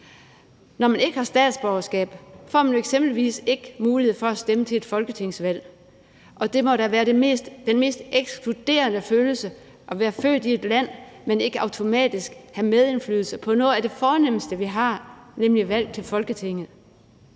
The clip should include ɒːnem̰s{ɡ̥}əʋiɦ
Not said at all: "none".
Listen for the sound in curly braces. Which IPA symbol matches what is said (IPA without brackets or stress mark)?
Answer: d̥